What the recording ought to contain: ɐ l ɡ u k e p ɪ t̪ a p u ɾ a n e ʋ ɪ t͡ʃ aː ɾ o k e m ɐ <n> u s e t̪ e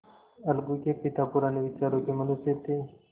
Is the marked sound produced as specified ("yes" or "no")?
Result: yes